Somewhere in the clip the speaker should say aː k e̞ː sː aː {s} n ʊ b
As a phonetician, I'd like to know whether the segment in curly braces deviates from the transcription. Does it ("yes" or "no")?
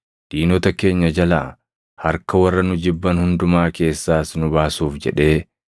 no